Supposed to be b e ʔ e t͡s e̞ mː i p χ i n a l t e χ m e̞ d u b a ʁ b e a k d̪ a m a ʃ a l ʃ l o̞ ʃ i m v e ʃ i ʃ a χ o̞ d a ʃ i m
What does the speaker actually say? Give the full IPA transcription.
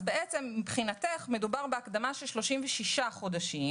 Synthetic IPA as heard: b e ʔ e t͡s e̞ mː i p χ i n a t e χ m e̞ d u b a ʁ b e a k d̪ a m a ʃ e l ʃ l o̞ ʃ i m v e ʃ i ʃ a χ o̞ d a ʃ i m